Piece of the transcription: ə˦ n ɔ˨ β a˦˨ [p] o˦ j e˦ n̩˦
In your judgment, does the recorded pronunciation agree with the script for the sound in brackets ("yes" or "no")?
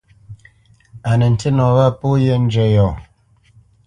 yes